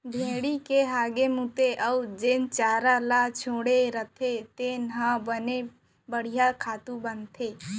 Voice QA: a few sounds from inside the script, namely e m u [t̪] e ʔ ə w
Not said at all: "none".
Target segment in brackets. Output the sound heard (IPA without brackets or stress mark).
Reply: t̪